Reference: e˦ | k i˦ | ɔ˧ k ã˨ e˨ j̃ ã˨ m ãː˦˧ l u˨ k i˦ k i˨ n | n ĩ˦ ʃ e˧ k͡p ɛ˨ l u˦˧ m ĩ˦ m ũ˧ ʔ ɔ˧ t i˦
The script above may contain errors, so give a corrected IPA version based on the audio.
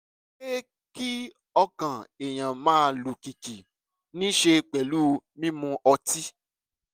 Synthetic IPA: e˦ | k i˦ | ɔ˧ k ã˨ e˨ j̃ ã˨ m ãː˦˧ l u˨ k i˨ k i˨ | n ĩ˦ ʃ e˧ k͡p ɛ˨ l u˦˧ m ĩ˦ m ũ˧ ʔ ɔ˧ t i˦